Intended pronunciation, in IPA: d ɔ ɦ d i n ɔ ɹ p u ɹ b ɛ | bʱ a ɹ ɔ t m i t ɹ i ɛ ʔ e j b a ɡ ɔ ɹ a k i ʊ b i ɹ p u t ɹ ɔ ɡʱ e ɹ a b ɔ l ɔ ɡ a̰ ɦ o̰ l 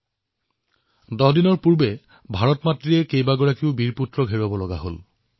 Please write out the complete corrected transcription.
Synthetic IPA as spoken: d ɔ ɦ d i n ɔ ɹ p u ɹ b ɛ | bʱ a ɹ ɔ t m a t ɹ i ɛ k e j b a ɡ ɔ ɹ a k i ʊ b i ɹ p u t ɹ ɔ ɡʱ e ɹ a b ɔ l ɔ ɡ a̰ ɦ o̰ l